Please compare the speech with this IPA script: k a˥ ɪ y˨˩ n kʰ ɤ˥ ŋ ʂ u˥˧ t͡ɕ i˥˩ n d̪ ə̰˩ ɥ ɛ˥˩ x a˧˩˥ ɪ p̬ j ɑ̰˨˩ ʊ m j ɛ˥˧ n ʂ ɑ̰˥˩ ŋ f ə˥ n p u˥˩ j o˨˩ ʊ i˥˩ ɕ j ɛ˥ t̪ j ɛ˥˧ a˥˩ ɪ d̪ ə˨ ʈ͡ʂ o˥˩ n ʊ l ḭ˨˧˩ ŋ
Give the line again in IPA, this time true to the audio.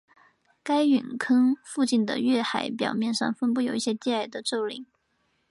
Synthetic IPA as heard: k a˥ ɪ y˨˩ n kʰ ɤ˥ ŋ f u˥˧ t͡ɕ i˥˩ n d̪ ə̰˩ ɥ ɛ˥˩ x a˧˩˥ ɪ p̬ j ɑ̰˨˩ ʊ m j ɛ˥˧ n ʂ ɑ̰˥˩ ŋ f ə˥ n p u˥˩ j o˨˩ ʊ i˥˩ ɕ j ɛ˥ t̪ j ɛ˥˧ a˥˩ ɪ d̪ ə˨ ʈ͡ʂ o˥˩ ʊ l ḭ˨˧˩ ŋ